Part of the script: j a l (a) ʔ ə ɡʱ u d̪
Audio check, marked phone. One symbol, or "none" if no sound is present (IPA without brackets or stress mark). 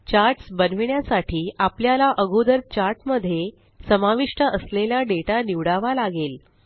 a